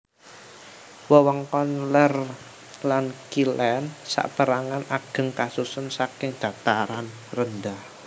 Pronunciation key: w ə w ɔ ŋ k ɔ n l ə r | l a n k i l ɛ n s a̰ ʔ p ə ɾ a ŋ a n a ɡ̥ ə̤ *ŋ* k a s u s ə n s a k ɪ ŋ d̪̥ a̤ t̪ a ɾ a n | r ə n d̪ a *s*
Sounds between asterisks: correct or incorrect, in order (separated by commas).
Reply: correct, incorrect